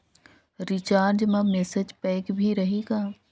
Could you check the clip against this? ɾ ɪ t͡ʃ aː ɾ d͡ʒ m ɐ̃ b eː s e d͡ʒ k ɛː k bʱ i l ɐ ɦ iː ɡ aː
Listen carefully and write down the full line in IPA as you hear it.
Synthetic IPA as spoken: ɾ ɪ t͡ʃ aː ɾ d͡ʒ m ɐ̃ m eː s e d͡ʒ p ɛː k bʱ i ɾ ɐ ɦ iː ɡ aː